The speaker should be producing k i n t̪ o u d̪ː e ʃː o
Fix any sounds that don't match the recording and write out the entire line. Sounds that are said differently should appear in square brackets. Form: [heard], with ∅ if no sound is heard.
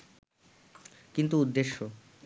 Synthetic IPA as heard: k i n t̪ [u] u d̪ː e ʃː o